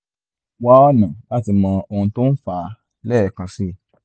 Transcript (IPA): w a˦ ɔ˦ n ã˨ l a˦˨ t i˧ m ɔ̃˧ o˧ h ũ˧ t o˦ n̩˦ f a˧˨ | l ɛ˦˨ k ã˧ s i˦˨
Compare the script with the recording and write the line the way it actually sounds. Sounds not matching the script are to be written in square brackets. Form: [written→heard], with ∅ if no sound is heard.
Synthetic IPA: w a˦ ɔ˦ n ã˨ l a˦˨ t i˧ m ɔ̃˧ o˧ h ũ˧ t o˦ n̩˦ f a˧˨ | l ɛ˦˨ k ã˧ s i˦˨